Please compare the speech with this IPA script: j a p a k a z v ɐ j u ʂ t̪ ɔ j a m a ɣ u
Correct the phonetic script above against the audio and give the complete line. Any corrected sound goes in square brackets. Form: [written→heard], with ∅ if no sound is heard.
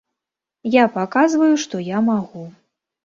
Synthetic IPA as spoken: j a p a k a z v ɐ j u ʂ t̪ ɔ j a m a ɣ u